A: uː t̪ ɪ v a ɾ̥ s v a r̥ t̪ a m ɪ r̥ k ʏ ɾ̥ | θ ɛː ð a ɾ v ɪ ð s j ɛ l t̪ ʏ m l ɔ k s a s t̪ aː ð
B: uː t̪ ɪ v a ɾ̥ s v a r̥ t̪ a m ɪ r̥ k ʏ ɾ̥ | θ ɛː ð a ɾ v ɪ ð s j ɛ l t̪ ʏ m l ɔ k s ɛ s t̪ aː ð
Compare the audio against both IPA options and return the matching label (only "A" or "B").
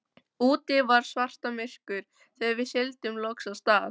A